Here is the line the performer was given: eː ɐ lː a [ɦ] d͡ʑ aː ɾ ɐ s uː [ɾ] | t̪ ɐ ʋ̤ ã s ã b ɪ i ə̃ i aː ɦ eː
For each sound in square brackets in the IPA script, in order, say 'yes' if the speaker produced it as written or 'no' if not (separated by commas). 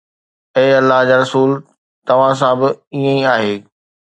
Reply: yes, no